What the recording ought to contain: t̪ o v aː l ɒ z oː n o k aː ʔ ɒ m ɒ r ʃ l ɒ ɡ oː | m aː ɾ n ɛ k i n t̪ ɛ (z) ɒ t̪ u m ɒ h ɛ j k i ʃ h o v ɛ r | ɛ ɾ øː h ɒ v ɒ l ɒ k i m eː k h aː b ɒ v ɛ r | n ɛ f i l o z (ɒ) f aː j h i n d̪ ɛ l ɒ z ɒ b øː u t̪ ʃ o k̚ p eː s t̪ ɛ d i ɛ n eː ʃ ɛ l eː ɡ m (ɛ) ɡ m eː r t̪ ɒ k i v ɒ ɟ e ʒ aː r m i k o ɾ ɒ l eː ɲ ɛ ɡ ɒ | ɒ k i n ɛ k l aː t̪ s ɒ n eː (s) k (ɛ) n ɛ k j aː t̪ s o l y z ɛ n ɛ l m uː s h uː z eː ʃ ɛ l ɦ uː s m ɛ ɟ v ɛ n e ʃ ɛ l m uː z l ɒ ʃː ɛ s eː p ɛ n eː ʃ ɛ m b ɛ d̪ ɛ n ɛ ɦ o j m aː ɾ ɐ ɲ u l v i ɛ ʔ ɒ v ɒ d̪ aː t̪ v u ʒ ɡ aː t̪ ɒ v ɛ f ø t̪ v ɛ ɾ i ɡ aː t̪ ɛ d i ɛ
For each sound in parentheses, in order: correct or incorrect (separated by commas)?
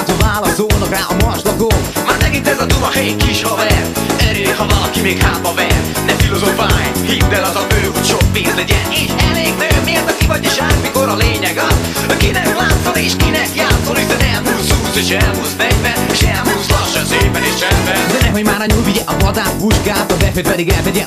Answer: correct, incorrect, correct, incorrect, incorrect